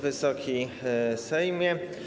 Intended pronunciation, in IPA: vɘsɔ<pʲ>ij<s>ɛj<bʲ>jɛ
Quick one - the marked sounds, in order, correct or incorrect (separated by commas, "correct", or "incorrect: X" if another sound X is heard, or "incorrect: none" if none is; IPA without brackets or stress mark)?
incorrect: kʲ, correct, incorrect: mʲ